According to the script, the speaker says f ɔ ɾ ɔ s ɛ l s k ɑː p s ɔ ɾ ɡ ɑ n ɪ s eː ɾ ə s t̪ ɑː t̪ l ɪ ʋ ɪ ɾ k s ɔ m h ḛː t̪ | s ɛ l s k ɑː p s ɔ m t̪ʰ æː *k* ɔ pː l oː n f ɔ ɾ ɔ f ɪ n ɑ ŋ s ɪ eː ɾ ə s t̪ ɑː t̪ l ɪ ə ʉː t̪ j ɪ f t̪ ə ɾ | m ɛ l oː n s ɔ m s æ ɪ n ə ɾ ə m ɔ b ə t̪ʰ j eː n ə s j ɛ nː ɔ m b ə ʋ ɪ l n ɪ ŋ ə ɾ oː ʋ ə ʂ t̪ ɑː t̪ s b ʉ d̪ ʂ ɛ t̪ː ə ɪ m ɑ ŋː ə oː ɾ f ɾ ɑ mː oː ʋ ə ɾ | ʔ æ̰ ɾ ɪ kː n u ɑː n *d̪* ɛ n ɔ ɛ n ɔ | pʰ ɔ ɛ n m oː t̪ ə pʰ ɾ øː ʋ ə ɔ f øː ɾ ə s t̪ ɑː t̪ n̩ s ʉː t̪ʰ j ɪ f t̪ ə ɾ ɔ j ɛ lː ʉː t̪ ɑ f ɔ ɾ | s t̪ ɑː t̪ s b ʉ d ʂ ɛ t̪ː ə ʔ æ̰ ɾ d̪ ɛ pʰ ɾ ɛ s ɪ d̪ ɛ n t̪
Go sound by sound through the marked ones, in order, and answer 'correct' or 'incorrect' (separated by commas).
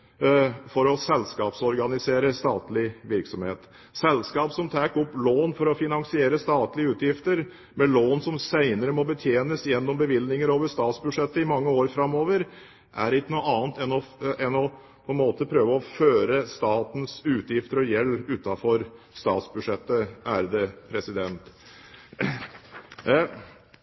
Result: correct, incorrect